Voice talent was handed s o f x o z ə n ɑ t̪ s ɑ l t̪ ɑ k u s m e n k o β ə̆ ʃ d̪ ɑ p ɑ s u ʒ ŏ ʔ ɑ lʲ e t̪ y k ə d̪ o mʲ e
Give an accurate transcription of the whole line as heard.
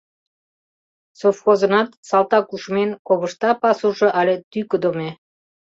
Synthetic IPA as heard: s o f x o z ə n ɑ t̪ s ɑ l t̪ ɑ k u ʃ m e n k o β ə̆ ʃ t̪ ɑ p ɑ s u ʒ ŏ ʔ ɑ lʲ e t̪ y k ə d̪ o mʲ e